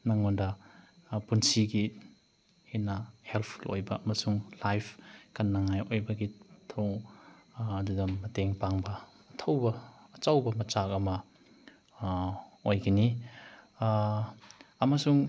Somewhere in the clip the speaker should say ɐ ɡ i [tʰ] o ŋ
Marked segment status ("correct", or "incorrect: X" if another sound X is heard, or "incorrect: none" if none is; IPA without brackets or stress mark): correct